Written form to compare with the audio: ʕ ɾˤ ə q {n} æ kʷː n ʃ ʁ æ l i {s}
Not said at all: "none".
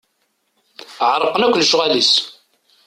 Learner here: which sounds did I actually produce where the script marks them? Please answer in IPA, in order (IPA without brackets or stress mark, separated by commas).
n, s